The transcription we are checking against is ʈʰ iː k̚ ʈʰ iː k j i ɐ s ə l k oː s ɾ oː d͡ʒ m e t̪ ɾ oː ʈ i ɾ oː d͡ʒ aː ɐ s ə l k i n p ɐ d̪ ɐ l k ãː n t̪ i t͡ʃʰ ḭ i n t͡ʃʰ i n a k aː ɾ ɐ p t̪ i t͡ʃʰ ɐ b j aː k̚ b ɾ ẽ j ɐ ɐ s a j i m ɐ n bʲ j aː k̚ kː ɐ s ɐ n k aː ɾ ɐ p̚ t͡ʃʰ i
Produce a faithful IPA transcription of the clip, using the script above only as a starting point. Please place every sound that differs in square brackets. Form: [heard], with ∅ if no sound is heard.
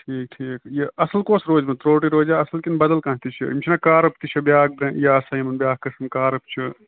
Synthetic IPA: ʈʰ iː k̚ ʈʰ iː k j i ɐ s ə l k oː s ɾ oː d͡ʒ m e t̪ ɾ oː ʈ i ɾ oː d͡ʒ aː ɐ s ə l k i n [b] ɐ d̪ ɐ l k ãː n t̪ i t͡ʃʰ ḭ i [m] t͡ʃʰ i n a k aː ɾ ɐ p t̪ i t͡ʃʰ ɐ b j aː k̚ b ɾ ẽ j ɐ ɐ s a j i m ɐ n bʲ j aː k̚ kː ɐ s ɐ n k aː ɾ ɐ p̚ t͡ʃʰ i